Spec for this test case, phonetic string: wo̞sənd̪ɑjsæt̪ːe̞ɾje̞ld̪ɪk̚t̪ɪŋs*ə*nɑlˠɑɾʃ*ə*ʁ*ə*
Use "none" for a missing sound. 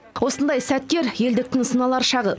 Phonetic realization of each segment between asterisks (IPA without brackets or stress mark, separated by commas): ə, ɑ, ə